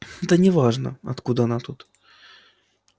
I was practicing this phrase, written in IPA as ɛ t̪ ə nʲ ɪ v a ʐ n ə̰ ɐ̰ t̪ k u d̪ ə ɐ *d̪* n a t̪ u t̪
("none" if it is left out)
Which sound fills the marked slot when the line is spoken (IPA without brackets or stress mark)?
none